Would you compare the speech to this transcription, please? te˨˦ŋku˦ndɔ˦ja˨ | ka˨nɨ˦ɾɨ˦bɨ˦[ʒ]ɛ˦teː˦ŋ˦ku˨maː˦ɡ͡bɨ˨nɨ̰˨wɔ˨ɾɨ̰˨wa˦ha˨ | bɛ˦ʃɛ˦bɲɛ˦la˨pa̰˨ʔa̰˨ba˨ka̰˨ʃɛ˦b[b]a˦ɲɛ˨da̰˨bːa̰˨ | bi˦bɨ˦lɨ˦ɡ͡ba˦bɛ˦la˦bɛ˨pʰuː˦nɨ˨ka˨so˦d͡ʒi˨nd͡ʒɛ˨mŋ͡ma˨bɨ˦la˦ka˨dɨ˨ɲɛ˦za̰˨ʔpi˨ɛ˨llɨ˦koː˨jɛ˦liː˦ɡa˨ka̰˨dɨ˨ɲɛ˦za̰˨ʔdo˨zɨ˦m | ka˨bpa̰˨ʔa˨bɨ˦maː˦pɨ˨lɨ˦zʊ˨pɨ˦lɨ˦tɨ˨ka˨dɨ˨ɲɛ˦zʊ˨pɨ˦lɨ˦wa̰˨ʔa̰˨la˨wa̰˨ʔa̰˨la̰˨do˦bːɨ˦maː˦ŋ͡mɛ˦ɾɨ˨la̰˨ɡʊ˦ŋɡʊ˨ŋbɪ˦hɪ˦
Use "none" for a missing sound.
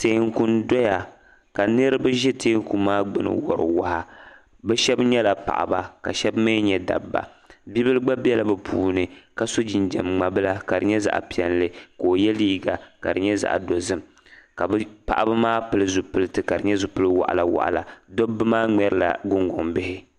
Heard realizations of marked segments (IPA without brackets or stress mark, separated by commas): ʒ, m